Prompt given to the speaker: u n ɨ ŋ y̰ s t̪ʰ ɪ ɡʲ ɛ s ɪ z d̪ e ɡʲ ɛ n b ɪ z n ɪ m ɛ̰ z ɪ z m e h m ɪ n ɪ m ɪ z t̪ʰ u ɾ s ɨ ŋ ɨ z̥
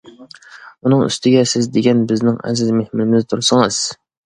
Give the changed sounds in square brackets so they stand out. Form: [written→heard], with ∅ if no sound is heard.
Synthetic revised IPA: u n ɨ ŋ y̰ s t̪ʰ ɪ ɡʲ ɛ s ɪ z d̪ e ɡʲ ɛ n b ɪ z n ɪ [m→ŋ] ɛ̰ z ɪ z m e h m ɪ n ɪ m ɪ z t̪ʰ u ɾ s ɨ ŋ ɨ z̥